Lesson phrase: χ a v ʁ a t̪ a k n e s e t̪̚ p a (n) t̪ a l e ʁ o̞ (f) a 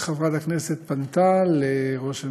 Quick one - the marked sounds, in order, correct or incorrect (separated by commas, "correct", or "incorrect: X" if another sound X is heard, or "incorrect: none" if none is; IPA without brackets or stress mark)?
correct, incorrect: ʃ